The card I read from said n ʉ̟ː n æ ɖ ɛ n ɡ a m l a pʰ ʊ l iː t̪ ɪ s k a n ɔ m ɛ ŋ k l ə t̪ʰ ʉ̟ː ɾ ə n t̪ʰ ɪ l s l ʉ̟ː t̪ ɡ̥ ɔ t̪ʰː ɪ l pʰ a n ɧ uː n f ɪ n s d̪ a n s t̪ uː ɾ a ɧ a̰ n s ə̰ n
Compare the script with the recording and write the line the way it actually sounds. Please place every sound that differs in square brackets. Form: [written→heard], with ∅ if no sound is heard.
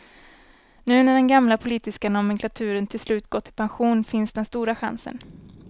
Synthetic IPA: n ʉ̟ː n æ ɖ ɛ n ɡ a m l a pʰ ʊ l iː t̪ ɪ s k a n ɔ m ɛ ŋ k l [ə→a] t̪ʰ ʉ̟ː ɾ ə n t̪ʰ ɪ l s l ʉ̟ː t̪ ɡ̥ ɔ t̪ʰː ɪ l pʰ a n ɧ uː n f ɪ n s d̪ [a→ɛ] n s t̪ uː ɾ a ɧ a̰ n s ə̰ n